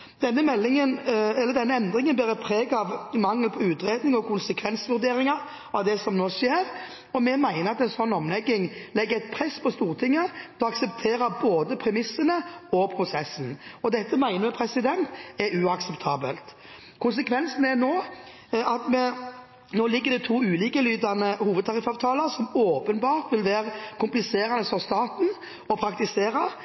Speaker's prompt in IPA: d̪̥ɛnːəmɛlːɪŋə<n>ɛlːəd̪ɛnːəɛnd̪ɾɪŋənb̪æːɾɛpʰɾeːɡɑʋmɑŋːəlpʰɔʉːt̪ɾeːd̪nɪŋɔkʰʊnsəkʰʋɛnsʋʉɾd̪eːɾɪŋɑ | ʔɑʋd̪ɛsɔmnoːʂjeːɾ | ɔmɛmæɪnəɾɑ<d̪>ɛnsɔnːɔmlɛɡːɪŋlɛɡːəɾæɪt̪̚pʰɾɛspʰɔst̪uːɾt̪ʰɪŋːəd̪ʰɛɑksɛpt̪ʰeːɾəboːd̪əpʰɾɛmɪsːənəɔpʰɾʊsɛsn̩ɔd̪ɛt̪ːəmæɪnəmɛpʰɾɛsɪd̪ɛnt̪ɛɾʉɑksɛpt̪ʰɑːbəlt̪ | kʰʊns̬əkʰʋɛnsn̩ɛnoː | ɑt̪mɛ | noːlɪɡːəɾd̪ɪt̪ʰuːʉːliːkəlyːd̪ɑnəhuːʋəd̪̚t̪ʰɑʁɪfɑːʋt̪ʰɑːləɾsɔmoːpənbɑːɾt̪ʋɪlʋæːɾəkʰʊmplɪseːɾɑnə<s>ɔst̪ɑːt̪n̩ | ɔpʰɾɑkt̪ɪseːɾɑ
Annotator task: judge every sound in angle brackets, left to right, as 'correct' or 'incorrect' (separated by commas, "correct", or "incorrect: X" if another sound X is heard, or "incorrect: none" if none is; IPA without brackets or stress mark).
correct, incorrect: t̪, correct